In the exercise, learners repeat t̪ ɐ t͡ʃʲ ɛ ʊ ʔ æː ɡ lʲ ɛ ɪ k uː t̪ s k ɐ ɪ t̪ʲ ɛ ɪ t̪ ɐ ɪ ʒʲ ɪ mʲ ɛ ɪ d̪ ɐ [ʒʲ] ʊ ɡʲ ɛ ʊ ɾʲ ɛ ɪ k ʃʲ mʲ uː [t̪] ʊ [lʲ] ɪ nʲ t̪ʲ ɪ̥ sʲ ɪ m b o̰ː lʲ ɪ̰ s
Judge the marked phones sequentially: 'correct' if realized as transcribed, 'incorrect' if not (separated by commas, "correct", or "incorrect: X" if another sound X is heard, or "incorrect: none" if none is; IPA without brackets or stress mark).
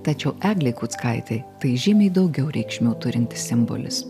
incorrect: none, correct, incorrect: ɾʲ